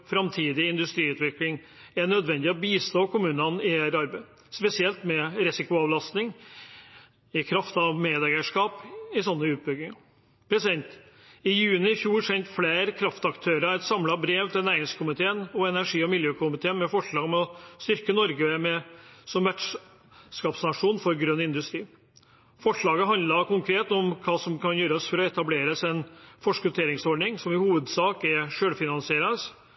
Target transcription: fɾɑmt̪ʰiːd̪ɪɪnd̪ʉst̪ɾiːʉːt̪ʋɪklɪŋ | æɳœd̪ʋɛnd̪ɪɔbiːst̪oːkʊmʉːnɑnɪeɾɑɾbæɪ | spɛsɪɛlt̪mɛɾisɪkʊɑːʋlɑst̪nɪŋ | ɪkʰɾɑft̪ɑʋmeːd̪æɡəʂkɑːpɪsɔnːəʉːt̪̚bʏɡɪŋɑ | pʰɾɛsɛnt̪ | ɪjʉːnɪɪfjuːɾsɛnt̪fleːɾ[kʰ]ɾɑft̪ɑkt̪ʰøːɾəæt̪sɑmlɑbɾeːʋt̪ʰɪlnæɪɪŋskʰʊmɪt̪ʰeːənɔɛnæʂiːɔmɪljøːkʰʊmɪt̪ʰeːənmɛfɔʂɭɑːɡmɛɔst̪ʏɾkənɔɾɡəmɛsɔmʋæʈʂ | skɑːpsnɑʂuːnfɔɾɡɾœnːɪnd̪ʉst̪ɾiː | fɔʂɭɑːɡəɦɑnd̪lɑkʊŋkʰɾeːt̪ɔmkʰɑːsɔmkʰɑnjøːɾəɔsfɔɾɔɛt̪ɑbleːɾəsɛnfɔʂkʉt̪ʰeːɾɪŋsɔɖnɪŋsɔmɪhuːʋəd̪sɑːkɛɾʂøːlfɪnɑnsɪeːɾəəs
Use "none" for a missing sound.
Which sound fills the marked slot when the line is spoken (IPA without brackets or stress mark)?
kʰ